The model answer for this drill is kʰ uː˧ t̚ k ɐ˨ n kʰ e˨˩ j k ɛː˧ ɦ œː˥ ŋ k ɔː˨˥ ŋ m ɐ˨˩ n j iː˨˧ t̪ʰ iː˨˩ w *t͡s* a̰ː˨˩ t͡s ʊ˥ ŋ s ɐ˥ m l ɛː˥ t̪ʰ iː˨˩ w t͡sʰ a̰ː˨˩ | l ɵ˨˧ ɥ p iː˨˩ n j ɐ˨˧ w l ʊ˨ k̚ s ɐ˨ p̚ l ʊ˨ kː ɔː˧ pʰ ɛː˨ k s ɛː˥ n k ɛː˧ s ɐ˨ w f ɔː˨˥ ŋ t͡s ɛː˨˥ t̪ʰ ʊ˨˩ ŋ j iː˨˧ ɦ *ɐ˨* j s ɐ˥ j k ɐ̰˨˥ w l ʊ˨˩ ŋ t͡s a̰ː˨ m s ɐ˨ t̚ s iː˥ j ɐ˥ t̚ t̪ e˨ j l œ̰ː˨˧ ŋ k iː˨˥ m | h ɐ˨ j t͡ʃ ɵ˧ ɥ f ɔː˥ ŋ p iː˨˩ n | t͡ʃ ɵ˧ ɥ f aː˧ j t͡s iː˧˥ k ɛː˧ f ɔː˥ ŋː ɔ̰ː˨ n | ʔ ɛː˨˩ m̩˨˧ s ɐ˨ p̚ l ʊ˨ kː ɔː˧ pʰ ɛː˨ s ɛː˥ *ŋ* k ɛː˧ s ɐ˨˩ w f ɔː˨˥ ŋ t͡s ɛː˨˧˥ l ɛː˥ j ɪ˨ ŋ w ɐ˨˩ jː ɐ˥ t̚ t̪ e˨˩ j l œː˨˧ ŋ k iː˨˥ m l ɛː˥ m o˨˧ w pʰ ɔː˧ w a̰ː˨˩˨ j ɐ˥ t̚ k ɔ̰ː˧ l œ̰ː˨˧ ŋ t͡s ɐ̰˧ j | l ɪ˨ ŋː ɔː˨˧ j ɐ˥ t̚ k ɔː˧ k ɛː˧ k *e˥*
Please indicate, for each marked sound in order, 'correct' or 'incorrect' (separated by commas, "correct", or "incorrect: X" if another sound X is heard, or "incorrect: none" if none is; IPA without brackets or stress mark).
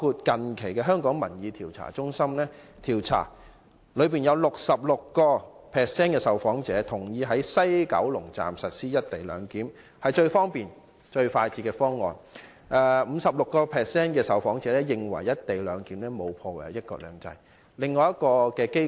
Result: incorrect: t͡sʰ, incorrect: ɐ˨˥, incorrect: n, correct